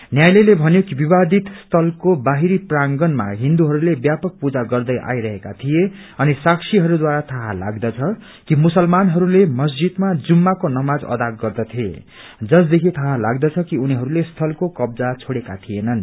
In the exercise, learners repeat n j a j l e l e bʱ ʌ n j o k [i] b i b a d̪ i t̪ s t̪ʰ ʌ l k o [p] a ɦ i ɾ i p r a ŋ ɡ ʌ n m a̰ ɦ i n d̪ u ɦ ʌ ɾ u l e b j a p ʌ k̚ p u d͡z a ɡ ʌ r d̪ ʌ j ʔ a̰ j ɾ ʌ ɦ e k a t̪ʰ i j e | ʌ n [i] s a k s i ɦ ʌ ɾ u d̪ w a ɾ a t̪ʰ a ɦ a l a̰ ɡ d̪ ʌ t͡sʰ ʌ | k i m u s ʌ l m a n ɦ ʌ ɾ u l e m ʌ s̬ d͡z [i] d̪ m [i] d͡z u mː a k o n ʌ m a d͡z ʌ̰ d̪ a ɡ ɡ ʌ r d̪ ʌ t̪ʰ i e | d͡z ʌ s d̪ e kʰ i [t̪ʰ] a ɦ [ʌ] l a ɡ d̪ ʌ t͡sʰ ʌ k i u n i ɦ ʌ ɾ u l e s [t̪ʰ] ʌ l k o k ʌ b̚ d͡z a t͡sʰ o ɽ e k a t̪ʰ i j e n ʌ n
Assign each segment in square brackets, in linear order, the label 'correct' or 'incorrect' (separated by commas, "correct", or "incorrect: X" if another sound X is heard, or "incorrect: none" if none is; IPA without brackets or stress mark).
correct, incorrect: b, correct, correct, incorrect: a, correct, incorrect: a, correct